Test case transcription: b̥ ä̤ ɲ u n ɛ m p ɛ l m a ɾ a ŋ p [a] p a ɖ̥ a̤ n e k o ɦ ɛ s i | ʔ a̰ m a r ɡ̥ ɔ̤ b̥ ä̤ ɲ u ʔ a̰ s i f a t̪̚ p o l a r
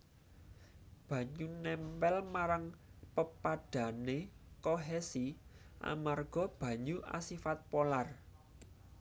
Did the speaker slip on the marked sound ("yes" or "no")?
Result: yes